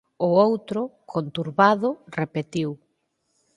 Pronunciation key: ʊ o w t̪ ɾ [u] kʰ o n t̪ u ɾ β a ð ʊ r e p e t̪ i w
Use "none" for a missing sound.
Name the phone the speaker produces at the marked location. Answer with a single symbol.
ʊ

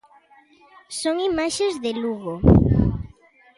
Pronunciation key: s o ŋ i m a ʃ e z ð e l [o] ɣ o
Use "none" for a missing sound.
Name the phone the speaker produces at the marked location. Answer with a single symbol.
u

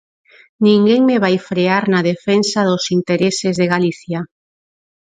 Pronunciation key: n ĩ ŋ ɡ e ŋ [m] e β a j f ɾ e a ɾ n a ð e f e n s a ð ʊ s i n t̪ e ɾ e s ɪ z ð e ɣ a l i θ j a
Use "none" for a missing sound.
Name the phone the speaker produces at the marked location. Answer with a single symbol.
m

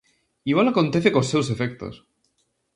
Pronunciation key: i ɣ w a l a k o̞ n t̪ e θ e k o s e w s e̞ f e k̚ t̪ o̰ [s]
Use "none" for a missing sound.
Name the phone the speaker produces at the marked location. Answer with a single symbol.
s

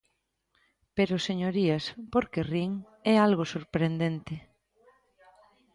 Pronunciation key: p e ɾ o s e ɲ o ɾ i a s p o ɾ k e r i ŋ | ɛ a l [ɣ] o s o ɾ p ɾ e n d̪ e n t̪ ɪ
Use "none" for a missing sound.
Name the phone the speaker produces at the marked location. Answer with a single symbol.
ɣ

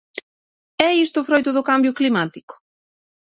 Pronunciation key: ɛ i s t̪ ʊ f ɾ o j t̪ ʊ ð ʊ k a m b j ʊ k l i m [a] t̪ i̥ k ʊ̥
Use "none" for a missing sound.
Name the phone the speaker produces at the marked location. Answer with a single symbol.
a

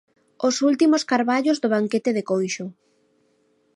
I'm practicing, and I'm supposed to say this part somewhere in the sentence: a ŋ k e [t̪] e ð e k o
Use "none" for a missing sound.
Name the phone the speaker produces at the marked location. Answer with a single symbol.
t̪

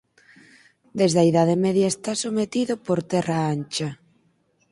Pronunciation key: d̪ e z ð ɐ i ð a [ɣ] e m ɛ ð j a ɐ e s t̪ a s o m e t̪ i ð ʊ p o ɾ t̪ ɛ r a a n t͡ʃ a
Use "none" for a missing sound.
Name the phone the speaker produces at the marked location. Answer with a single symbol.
ð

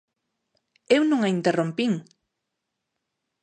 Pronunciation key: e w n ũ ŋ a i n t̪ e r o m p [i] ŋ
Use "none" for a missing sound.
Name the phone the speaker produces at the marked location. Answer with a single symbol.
i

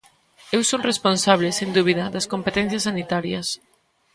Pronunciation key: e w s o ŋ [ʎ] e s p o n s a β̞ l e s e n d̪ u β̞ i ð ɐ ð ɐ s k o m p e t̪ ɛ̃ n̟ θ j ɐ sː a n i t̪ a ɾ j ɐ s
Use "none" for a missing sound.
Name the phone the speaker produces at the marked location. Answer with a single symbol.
r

